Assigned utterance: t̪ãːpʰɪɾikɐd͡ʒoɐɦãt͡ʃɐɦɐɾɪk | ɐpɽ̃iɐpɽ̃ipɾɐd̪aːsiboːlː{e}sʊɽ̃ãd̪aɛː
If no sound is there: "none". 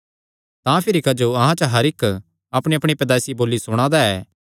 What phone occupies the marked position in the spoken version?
i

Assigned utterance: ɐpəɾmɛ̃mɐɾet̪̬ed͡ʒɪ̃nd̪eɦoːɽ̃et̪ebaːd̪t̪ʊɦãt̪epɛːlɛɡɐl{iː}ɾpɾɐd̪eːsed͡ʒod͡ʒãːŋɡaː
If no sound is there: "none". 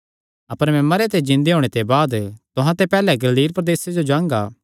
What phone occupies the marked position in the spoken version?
iː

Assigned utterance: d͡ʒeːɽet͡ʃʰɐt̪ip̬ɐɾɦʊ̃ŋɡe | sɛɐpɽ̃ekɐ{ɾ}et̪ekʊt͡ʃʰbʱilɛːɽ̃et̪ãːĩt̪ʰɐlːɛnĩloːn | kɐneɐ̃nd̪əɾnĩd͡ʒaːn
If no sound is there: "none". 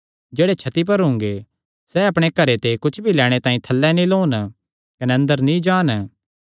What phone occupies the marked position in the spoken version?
ɾ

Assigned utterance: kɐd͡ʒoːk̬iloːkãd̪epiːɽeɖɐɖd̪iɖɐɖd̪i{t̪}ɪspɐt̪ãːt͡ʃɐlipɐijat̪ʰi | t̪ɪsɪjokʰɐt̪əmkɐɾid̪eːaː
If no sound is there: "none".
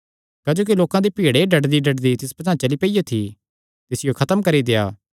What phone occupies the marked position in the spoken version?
t̪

